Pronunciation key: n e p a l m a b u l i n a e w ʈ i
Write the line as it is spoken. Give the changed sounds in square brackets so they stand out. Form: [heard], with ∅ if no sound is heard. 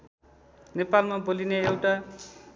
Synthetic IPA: n e p a l m a b [o] l i n [e] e w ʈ [a]